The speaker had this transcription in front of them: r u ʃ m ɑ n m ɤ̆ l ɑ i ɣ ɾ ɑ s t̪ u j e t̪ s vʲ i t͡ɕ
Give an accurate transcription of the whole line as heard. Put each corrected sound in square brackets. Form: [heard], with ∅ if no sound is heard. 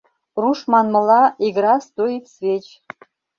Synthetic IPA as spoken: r u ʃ m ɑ n m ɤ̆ l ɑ i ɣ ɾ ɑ s t̪ [o] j [i] t̪ s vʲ [e] t͡ɕ